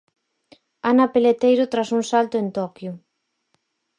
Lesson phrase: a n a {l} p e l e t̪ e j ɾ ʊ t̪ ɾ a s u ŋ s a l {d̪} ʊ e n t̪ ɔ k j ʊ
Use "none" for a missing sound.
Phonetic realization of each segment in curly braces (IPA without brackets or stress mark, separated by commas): none, t̪